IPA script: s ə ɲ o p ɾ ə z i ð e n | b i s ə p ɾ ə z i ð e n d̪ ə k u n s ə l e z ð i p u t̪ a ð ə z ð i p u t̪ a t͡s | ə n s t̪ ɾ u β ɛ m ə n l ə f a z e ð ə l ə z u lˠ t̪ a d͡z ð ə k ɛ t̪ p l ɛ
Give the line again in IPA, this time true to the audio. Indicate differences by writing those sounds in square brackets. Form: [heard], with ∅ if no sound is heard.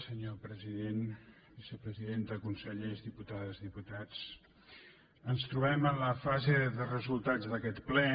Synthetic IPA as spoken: s ə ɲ o p ɾ ə z i ð e n | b i s ə p ɾ ə z i ð e n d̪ ə k u n s ə [ʎ] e z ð i p u t̪ a ð ə z ð i p u t̪ a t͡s | ə n s t̪ ɾ u β ɛ m ə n l ə f a z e ð ə [r] ə z u lˠ t̪ a d͡z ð ə k ɛ t̪ p l ɛ